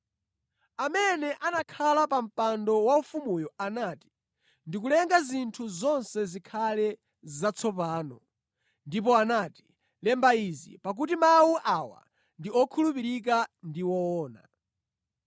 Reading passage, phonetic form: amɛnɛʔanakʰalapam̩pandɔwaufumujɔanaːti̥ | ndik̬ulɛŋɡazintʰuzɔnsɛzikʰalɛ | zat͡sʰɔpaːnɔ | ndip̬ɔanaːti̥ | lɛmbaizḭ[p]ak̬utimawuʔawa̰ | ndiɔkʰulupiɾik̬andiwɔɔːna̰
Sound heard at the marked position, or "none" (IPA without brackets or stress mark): p